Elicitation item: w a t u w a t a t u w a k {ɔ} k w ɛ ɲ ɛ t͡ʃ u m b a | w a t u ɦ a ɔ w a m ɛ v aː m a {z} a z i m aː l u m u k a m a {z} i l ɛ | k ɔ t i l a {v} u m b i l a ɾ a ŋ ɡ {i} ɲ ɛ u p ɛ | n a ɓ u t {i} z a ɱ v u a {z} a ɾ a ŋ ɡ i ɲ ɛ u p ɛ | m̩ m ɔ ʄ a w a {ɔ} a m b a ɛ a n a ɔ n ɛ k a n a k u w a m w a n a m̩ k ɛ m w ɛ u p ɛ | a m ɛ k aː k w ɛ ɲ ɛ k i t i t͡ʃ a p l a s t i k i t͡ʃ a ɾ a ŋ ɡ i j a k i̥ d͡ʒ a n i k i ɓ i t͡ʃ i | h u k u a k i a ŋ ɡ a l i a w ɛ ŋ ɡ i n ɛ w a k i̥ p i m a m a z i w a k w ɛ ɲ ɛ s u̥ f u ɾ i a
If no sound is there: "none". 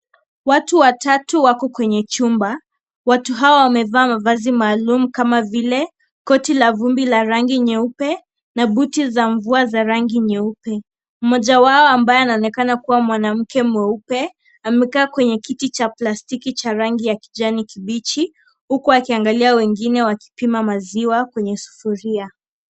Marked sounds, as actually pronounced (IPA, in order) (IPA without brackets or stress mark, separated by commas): ɔ, v, v, v, i, i, z, ɔ